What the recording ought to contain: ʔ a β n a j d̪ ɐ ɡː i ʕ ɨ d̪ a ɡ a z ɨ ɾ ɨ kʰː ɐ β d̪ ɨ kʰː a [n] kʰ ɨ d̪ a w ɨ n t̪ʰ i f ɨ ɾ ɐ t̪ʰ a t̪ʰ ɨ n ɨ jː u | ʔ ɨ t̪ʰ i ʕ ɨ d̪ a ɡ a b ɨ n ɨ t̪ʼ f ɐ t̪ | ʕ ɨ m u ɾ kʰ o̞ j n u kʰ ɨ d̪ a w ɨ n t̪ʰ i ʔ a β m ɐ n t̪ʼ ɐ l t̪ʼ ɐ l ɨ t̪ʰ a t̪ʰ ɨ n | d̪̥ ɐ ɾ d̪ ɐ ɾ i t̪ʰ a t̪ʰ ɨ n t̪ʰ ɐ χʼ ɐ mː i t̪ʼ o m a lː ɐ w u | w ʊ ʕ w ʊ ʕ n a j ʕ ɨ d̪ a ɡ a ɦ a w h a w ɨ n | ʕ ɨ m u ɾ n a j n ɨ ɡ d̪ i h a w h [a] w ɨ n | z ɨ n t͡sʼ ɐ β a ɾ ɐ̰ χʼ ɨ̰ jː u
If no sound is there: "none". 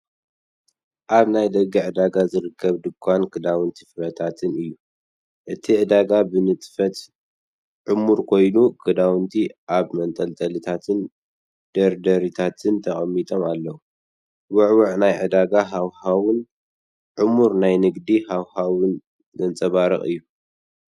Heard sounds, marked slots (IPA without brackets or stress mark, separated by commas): n, a